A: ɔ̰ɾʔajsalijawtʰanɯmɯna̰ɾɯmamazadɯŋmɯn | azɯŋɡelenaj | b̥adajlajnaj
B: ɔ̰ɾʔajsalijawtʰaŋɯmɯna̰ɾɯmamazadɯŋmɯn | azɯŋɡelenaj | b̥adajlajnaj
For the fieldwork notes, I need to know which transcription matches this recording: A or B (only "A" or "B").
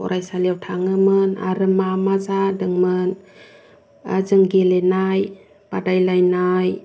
B